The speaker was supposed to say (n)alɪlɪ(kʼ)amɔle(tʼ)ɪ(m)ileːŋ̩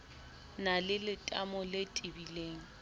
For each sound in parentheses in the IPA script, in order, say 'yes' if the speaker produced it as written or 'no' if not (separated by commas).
yes, no, yes, no